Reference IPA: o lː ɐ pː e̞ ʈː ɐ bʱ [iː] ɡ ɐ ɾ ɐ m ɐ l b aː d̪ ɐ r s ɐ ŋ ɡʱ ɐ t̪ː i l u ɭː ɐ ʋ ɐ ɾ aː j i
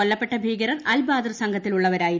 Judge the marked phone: correct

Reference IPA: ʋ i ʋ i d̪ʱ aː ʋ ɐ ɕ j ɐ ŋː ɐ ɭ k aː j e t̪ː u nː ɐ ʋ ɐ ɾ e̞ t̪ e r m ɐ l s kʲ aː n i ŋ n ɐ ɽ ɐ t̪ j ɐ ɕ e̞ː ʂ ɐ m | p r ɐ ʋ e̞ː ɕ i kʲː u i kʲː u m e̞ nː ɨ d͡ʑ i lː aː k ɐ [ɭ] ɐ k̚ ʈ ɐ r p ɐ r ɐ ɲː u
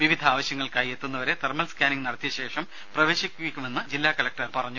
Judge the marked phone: incorrect: l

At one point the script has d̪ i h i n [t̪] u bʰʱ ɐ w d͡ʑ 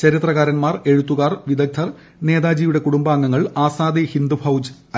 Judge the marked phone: incorrect: d̪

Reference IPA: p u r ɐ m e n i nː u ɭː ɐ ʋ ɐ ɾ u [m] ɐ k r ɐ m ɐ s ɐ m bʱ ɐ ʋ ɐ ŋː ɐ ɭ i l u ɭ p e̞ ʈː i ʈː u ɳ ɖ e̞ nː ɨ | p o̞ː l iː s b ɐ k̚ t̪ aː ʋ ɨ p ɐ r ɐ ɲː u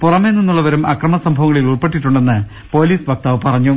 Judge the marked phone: correct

